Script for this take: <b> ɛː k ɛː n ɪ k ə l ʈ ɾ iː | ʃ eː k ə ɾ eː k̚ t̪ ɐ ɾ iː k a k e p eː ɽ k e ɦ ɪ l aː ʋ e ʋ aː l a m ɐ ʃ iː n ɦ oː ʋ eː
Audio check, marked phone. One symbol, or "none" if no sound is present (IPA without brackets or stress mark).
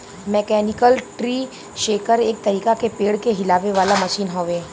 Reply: m